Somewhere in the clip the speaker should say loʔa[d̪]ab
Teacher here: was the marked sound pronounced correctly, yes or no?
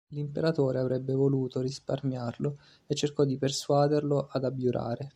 yes